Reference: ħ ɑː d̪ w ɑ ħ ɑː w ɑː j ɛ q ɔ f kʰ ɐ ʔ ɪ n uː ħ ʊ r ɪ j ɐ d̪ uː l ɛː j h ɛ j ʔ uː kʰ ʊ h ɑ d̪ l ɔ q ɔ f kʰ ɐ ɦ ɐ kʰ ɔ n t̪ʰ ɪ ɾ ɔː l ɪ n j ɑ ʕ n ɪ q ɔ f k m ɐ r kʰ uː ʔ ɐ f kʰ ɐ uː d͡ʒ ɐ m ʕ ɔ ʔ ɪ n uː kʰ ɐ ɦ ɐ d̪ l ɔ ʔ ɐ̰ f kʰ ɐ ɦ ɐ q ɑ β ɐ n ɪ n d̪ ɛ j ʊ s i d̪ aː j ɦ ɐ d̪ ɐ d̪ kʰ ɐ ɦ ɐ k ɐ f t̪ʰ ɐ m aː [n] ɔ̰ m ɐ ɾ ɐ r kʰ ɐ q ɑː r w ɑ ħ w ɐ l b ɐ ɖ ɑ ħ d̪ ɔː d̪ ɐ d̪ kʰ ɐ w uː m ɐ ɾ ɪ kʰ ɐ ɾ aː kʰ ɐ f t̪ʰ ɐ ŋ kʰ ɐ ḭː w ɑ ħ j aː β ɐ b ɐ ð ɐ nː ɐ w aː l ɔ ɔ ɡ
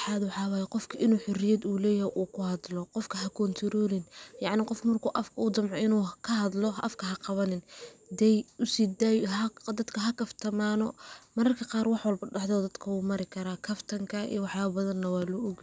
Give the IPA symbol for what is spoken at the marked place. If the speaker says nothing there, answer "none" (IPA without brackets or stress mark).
n